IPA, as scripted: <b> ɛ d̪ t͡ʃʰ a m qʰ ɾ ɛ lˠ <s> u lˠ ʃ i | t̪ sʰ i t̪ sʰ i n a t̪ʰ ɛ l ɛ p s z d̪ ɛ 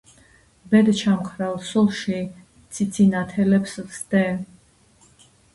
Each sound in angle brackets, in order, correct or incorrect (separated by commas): correct, correct